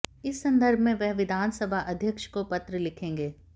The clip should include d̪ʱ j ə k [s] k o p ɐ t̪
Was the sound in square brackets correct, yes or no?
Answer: no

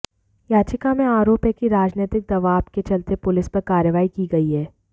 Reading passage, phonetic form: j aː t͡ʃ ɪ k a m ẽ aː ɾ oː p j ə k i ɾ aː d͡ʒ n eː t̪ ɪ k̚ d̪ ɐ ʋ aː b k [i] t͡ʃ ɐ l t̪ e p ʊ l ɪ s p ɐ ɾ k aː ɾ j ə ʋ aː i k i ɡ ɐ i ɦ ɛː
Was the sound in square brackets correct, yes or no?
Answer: no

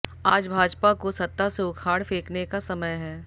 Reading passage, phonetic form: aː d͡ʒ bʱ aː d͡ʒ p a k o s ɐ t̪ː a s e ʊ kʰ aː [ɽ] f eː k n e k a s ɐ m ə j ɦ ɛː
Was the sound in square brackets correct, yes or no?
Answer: yes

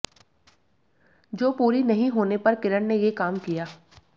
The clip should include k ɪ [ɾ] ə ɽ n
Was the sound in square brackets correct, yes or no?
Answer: yes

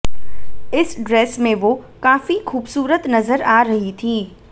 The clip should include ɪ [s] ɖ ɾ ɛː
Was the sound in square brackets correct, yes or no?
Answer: yes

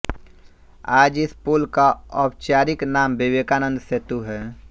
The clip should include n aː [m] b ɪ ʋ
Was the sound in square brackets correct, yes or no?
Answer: yes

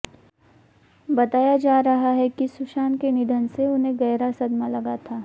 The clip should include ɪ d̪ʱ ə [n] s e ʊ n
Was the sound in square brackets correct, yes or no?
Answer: yes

